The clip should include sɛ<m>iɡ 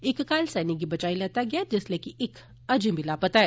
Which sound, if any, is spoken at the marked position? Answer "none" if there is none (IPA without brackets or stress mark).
n